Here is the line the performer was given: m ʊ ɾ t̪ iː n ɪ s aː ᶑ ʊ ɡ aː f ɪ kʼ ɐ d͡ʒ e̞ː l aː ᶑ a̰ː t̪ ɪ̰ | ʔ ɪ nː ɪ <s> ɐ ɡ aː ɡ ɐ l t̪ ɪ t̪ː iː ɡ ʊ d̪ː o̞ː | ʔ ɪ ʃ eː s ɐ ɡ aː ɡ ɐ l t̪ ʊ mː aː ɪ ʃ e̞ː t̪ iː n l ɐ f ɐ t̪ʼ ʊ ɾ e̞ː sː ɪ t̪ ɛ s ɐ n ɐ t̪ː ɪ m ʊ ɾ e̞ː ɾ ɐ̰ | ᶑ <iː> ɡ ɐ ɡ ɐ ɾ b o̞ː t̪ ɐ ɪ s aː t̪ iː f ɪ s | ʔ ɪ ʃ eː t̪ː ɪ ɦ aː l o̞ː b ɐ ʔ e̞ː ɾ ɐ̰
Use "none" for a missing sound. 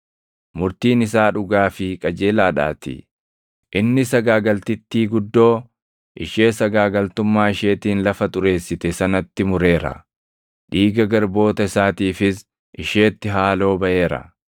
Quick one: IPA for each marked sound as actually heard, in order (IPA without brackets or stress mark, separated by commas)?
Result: s, iː